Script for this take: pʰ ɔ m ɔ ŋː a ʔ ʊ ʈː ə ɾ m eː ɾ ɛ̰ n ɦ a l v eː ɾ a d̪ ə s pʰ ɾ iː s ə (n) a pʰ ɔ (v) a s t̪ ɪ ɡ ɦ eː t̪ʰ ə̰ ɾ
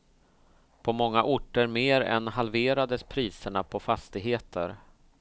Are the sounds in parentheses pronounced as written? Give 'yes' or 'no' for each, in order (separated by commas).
no, no